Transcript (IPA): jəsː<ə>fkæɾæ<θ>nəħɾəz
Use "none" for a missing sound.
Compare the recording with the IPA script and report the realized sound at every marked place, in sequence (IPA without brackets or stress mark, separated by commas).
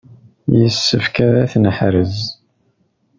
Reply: ə, θ